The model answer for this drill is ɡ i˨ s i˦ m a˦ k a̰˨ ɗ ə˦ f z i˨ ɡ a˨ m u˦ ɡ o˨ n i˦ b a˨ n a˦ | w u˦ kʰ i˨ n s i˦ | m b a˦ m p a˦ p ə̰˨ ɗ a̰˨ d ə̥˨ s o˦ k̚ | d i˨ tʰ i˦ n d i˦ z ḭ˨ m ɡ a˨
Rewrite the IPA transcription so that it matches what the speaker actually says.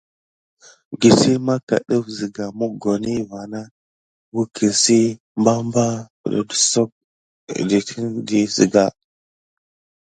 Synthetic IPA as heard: ɡ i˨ s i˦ m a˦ k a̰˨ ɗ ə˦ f z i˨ ɡ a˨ m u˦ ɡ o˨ n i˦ v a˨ n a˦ | w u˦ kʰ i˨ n s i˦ | m b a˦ m b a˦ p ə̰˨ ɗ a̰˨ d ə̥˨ s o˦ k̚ | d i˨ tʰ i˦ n d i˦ z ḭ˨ ɡ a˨

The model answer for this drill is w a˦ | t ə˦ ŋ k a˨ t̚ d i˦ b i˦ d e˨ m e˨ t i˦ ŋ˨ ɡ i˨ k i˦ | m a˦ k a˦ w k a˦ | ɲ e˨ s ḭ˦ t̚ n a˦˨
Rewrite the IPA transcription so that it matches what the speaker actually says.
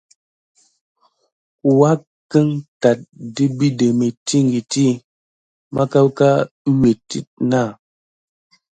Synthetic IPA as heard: w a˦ | k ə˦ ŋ t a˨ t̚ d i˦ b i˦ d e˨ m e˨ t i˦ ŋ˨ ɡ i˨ t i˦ | m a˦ k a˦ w k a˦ | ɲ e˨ t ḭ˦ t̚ n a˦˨

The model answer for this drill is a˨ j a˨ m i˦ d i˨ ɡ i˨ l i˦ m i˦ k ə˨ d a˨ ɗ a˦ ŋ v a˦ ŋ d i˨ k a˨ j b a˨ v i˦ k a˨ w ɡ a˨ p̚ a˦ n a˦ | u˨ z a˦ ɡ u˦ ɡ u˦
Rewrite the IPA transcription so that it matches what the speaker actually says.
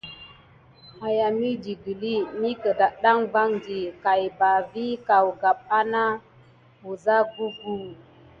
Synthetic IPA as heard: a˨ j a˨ m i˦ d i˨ ɡ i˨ l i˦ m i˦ k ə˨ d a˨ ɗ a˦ ŋ v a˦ ŋ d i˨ k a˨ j b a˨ v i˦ k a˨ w ɡ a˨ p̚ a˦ n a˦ | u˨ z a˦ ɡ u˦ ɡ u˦

